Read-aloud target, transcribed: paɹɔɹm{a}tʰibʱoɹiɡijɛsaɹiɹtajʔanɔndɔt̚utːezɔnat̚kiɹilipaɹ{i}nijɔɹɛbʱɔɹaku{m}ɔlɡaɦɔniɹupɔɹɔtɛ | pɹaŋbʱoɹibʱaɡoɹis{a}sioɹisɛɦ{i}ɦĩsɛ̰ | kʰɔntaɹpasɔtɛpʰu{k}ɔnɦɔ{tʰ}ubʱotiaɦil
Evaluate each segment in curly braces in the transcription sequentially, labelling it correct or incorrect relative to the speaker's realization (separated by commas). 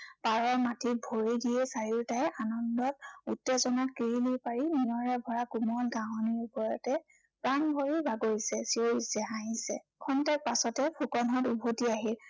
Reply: correct, correct, correct, incorrect, incorrect, correct, incorrect